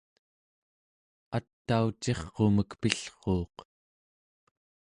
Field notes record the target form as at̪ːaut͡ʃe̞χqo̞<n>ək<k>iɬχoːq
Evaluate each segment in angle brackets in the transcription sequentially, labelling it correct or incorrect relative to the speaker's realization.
incorrect: m, incorrect: p

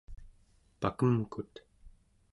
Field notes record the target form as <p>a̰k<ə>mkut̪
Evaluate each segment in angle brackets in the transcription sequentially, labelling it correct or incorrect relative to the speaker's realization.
correct, correct

